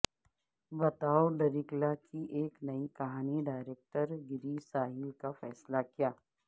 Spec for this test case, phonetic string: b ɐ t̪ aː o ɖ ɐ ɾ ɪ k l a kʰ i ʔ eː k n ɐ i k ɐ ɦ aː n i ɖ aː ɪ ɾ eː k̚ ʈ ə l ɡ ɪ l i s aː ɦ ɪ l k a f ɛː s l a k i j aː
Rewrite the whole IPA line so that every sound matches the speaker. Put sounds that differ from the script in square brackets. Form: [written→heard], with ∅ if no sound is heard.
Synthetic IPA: b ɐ t̪ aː o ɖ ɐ ɾ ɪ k l a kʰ i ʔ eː k n ɐ i k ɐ ɦ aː n i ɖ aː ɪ ɾ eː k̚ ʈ ə [l→ɾ] ɡ ɪ [l→ɾ] i s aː ɦ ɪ l k a f ɛː s l a k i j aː